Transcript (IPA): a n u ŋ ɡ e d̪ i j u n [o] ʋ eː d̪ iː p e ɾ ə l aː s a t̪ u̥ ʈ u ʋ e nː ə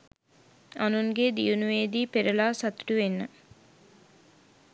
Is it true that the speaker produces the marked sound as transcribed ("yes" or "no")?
no